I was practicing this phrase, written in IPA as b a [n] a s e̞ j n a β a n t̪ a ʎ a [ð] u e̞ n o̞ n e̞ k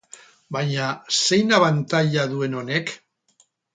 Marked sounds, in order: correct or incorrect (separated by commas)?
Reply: incorrect, correct